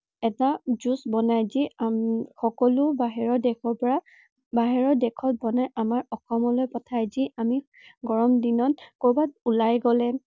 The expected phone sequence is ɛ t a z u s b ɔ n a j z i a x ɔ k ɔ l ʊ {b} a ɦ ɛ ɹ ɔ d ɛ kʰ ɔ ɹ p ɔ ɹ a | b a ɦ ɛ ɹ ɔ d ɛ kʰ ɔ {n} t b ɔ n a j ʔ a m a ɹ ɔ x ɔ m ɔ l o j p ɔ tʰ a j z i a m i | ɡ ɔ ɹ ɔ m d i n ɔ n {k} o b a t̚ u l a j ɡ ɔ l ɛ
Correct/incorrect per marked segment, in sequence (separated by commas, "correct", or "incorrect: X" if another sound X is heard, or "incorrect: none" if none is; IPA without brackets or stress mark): correct, incorrect: none, correct